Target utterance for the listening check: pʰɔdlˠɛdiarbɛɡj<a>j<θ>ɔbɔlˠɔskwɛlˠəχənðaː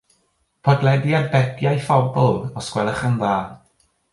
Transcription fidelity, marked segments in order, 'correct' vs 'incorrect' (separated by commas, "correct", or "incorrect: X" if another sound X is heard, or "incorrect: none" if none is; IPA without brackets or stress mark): correct, incorrect: f